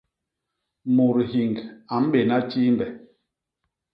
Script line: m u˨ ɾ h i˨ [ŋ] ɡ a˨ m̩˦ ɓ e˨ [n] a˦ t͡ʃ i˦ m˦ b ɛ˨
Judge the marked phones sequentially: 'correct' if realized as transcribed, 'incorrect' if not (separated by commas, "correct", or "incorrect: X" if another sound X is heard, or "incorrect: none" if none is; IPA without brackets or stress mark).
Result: correct, correct